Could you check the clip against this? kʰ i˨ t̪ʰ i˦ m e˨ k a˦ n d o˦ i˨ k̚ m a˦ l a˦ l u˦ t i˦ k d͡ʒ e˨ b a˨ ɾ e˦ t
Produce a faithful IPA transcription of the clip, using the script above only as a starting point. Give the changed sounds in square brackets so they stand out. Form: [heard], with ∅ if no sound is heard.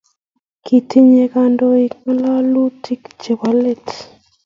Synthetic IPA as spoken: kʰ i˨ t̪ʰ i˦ [ɲ] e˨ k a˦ n d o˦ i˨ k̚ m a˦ l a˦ l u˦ t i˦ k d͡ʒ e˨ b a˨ [l] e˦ t